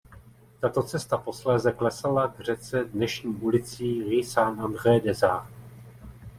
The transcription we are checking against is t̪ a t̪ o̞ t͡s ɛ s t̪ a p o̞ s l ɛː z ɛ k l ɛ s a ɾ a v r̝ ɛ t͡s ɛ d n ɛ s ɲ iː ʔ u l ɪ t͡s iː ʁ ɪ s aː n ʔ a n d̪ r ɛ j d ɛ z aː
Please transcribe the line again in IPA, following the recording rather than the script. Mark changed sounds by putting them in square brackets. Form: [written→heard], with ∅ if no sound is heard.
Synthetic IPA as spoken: t̪ a t̪ o̞ t͡s ɛ s t̪ a p o̞ s l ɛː z ɛ k l ɛ s a [ɾ→l] a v r̝ ɛ t͡s ɛ d n ɛ [s→ʃ] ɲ iː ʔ u l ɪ t͡s iː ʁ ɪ s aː n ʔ a n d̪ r ɛ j d ɛ z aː